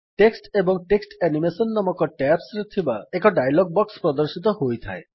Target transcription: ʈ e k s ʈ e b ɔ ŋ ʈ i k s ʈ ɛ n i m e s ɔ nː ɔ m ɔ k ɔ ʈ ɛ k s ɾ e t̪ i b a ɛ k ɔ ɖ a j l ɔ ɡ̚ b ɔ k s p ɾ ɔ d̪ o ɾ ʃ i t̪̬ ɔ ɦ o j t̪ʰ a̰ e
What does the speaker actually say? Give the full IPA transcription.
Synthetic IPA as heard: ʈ e k s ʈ e b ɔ ŋ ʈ e k s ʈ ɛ n i m e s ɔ nː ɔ m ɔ k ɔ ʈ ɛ p s ɾ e t̪ʰ i b a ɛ k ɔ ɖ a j l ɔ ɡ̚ b ɔ k s p ɾ ɔ d̪ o ɾ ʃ i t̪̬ ɔ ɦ o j t̪ʰ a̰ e